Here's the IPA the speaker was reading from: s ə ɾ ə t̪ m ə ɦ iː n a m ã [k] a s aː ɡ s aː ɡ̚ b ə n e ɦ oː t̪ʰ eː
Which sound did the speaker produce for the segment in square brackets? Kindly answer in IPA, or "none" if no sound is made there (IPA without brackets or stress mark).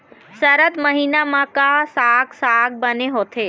k